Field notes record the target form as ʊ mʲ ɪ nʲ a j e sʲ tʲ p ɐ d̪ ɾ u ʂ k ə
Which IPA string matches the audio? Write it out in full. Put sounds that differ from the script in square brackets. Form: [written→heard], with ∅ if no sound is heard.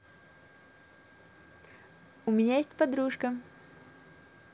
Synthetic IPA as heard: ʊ mʲ ɪ nʲ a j e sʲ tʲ p ɐ d̪ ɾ u ʂ k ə